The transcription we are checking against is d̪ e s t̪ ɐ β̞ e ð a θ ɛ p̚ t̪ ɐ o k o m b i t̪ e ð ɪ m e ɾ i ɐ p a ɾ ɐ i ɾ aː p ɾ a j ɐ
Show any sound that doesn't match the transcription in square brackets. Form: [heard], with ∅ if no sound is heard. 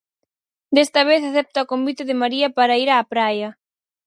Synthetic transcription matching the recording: d̪ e s t̪ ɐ β̞ e [θ] a θ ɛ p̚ t̪ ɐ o k o m b i t̪ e ð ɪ m [a] ɾ i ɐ p a ɾ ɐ i ɾ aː p ɾ a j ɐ